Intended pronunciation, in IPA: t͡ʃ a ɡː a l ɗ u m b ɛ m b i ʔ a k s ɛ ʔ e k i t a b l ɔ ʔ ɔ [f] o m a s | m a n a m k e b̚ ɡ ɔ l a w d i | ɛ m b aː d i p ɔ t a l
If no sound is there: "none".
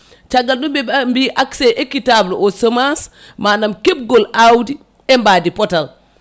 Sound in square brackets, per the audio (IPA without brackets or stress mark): s